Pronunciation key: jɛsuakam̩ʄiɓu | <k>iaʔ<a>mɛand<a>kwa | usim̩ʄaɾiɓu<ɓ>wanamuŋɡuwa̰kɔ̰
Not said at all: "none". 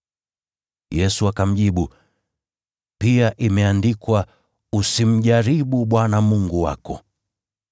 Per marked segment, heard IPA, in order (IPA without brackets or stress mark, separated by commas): p, i, i, ɓ